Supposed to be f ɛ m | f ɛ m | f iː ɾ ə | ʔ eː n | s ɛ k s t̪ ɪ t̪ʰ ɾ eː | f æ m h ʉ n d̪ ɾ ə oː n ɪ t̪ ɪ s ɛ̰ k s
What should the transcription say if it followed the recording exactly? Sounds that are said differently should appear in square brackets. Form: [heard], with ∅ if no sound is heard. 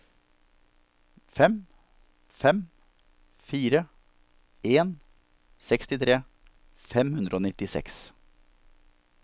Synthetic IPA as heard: f ɛ m | f ɛ m | f iː ɾ ə | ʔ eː n | s ɛ k s t̪ ɪ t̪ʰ ɾ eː | f [ɛ] m h ʉ n d̪ ɾ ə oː n ɪ t̪ ɪ s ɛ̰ k s

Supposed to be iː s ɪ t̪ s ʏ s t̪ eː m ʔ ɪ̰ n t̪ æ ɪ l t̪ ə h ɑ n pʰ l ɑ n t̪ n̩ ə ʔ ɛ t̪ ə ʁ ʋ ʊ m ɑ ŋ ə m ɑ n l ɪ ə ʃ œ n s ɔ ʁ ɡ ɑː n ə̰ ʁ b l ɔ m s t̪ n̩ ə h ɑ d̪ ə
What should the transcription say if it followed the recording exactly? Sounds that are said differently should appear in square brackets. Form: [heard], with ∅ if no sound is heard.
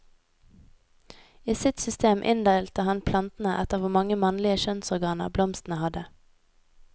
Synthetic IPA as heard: iː s ɪ t̪ s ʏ s t̪ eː m ʔ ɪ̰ n [d̪] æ ɪ l t̪ ə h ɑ n pʰ l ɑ n t̪ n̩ ə ʔ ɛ t̪ ə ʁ ʋ ʊ m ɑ ŋ ə m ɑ n l ɪ ə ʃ œ n s ɔ ʁ ɡ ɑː n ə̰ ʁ b l ɔ m s t̪ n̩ ə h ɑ d̪ ə

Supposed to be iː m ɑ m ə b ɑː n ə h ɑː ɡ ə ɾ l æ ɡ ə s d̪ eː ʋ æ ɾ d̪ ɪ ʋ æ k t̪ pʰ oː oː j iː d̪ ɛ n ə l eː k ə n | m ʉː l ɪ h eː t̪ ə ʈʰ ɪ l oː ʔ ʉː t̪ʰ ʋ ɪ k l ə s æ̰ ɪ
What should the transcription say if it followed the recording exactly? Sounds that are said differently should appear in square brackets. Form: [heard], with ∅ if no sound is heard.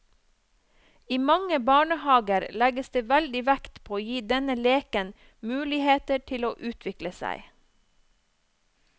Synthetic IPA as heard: iː m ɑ [ŋ] ə b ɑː [ɳ] ə h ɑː ɡ ə ɾ l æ ɡ ə s d̪ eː ʋ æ [l] d̪ ɪ ʋ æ k t̪ pʰ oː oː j iː d̪ ɛ n ə l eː k ə n | m ʉː l ɪ h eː t̪ ə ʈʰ ɪ l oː ʔ ʉː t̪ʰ ʋ ɪ k l ə s æ̰ ɪ

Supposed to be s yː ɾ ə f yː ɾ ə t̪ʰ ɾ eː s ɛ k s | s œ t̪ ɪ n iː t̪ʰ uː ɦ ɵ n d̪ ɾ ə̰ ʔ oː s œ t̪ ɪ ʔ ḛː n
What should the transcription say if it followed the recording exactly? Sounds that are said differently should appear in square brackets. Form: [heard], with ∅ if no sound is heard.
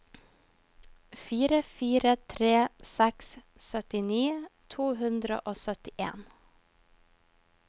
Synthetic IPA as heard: [f] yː ɾ ə f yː ɾ ə t̪ʰ ɾ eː s ɛ k s | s œ t̪ ɪ n iː t̪ʰ uː ɦ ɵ n d̪ ɾ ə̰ ʔ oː s œ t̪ ɪ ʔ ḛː n

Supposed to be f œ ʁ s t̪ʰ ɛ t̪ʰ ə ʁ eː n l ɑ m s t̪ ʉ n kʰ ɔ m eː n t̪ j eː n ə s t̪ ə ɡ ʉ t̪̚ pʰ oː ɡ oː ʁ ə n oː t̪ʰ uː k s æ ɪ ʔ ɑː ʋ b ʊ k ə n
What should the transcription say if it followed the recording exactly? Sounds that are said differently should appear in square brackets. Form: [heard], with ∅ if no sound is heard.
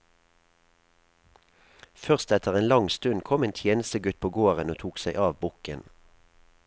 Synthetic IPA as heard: f œ ʁ s [t̪] ɛ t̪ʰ ə ʁ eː n l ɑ [ŋ] s t̪ ʉ n kʰ ɔ m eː n [t̪ʰ] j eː n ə s t̪ ə ɡ ʉ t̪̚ pʰ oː ɡ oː ʁ ə n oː t̪ʰ uː k s æ ɪ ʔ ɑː ʋ b ʊ k ə n

